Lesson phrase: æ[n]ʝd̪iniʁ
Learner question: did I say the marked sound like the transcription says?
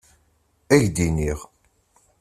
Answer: no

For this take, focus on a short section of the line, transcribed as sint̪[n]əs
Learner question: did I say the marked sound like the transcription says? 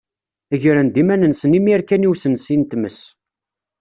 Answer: no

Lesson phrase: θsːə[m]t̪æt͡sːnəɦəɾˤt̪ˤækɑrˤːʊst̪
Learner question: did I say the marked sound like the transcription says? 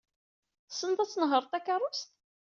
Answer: no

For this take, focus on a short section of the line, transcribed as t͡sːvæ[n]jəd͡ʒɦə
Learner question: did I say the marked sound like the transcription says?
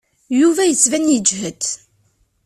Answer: yes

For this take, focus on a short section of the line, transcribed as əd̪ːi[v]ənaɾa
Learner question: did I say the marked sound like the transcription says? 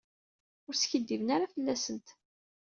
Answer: yes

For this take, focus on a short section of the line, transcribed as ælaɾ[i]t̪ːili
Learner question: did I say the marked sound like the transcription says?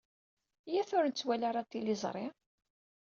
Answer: no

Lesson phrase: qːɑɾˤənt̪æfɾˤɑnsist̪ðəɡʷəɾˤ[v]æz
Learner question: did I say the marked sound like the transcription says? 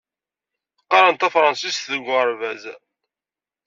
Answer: yes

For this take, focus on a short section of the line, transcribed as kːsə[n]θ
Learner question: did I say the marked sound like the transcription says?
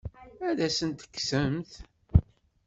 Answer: no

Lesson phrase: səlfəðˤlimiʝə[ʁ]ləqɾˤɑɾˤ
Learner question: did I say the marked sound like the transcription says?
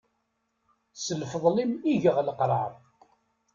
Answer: yes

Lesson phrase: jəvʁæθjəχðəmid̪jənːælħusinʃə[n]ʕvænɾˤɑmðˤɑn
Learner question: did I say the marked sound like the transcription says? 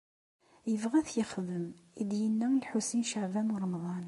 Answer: no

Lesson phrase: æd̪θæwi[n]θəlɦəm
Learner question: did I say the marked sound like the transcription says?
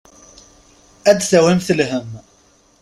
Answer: no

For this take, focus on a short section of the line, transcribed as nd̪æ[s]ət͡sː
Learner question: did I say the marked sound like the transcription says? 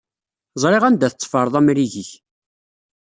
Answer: no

